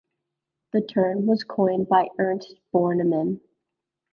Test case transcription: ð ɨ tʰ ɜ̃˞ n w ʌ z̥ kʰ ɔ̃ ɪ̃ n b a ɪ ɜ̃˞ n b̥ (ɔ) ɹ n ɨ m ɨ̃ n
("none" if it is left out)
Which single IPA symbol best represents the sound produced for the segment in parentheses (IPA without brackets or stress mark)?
ɔ